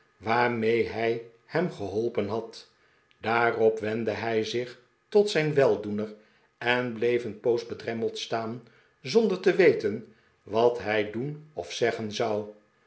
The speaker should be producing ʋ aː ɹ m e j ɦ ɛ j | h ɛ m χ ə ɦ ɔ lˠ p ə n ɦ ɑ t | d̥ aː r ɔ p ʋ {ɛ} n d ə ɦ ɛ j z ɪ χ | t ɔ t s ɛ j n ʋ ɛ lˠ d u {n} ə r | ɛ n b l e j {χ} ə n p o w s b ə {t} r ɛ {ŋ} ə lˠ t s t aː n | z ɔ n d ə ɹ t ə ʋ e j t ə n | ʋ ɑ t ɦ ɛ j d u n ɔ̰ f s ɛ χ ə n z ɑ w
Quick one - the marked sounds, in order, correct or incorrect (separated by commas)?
correct, correct, incorrect, incorrect, incorrect